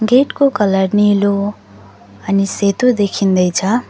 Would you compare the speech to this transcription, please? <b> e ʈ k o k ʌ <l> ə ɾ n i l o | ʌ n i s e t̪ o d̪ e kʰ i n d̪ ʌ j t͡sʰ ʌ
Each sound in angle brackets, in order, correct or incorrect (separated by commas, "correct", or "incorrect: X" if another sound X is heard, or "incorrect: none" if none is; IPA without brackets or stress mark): incorrect: ɡ, correct